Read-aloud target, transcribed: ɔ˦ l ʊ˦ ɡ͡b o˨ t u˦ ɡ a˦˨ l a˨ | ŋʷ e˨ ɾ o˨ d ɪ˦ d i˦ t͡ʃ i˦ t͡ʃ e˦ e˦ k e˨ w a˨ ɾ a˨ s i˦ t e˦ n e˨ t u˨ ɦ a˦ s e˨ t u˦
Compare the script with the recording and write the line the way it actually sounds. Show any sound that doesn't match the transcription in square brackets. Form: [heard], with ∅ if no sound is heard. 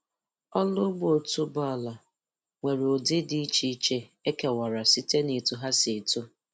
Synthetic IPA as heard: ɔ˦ l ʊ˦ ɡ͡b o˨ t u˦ [b] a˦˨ l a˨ | ŋʷ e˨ ɾ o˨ d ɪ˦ d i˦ t͡ʃ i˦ t͡ʃ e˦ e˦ k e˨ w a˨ ɾ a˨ s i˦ t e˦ n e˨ t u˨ ɦ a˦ s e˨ t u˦